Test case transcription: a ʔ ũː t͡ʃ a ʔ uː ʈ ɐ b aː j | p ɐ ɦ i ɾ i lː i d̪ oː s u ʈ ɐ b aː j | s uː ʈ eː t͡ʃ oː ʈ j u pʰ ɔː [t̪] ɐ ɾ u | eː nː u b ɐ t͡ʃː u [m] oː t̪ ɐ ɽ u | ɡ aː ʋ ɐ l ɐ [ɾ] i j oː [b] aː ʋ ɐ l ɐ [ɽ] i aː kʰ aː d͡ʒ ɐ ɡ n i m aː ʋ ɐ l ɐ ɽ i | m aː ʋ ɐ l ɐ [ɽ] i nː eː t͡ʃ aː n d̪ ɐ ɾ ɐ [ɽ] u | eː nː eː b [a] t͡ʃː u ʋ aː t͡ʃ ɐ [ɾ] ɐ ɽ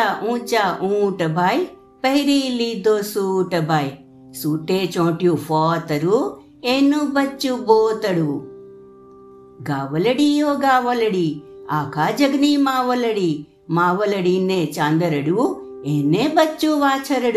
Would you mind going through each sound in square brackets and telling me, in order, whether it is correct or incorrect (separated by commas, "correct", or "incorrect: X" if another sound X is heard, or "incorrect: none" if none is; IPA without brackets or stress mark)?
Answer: correct, incorrect: b, incorrect: ɽ, incorrect: ɡ, correct, correct, correct, incorrect: ɐ, correct